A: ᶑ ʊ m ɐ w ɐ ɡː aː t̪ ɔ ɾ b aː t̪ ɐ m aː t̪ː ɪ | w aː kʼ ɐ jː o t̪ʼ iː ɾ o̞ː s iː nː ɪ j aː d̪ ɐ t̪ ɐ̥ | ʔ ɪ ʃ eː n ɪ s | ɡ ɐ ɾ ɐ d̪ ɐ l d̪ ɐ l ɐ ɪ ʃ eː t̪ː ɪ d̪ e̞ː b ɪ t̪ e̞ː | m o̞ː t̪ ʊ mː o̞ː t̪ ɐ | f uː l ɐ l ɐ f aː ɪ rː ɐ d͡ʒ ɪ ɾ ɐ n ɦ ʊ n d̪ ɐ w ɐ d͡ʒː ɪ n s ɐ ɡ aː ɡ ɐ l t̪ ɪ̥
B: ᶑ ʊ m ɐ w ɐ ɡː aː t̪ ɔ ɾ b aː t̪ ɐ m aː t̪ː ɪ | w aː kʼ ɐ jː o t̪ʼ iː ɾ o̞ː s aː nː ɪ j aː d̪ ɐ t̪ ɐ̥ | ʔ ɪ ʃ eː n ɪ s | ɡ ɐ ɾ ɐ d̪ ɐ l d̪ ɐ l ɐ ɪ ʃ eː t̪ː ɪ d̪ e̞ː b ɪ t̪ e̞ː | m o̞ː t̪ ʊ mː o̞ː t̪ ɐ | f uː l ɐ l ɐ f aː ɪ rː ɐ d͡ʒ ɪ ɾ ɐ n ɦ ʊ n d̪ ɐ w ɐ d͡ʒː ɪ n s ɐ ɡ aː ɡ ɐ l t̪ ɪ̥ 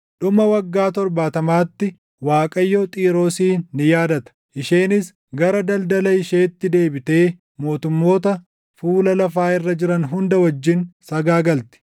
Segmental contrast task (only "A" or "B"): A